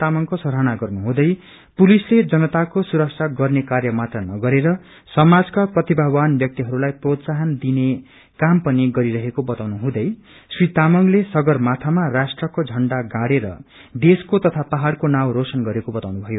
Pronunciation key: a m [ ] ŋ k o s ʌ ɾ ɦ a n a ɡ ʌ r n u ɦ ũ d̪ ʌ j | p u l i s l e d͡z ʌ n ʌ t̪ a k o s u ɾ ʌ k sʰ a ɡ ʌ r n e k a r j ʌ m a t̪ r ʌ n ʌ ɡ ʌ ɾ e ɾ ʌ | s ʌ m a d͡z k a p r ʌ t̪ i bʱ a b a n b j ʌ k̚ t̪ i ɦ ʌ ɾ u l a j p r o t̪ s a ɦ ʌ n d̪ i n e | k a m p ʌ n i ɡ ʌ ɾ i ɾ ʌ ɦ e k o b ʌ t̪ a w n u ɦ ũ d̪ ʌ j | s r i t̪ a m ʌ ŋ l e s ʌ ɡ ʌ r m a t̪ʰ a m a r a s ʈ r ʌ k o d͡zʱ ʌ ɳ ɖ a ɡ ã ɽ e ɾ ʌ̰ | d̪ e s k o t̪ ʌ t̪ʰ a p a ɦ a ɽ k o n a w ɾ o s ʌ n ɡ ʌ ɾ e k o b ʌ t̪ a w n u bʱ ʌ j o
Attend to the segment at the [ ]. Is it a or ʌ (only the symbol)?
ʌ